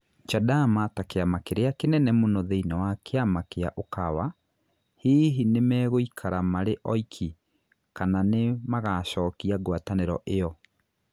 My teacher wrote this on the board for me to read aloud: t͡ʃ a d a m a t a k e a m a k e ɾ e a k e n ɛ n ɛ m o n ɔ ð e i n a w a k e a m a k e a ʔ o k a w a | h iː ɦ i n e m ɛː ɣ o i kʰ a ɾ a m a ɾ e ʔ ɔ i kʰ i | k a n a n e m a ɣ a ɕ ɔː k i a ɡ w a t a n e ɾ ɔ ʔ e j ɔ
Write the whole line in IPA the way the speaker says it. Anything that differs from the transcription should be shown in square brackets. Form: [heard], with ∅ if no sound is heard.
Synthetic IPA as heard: t͡ʃ a d a m a t a k e a m a k e ɾ e a k e n ɛ n ɛ m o n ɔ ð e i n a w a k e a m a k e a ʔ o k a w a | h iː ɦ i n e m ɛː ɣ o i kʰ a ɾ a m a ɾ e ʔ ɔ i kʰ i | k a n a n e m a ɣ a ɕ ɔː k i a ɡ w a t a n e ɾ ɔ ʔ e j ɔ